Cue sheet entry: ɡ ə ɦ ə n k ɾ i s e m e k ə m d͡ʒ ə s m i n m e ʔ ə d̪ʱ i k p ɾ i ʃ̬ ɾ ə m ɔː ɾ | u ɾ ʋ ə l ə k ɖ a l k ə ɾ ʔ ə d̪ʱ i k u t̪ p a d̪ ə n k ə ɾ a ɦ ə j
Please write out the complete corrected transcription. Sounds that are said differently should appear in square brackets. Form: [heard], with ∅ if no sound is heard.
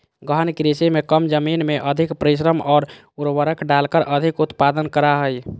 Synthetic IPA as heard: ɡ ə ɦ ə n k ɾ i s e m e k ə m d͡ʒ ə [∅] m i n m e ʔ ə d̪ʱ i k p ɾ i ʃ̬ ɾ ə m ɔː ɾ | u ɾ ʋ ə [ɾ] ə k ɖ a l k ə ɾ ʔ ə d̪ʱ i k u t̪ p a d̪ ə n k ə ɾ a ɦ ə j